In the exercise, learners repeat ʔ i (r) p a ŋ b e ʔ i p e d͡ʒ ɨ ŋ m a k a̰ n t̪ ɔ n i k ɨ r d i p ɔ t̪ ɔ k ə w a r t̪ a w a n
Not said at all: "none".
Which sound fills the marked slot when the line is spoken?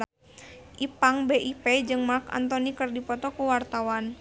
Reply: none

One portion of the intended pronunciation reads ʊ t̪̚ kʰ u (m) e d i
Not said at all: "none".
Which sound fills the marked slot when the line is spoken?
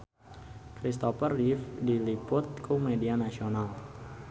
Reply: m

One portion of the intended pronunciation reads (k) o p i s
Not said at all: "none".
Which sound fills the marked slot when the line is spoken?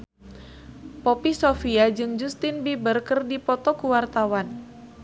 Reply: p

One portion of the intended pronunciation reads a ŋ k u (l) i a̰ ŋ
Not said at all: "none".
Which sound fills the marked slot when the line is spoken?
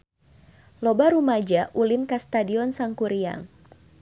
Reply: ɾ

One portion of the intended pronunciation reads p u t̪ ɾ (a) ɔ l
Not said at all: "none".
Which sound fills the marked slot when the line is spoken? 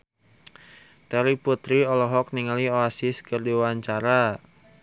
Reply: i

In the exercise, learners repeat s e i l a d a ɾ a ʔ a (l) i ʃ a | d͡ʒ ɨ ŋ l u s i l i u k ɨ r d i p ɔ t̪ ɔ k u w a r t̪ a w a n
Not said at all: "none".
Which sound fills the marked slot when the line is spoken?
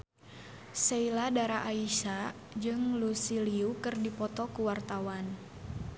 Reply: none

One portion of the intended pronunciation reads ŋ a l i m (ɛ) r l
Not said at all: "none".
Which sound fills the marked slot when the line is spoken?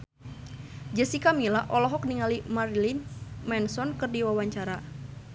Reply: a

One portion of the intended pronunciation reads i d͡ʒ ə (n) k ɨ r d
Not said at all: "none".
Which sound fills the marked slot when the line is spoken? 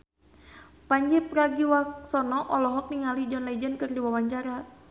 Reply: n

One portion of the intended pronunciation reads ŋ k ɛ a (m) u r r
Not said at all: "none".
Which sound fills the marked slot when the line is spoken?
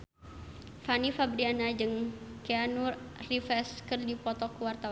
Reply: n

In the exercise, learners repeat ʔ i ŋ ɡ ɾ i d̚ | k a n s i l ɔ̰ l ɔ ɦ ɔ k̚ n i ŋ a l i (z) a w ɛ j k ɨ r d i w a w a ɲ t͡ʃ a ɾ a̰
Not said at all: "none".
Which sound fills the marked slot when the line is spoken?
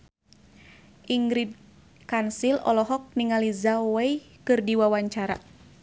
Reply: z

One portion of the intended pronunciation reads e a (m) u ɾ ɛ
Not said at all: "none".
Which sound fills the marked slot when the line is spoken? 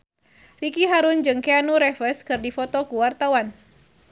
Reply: n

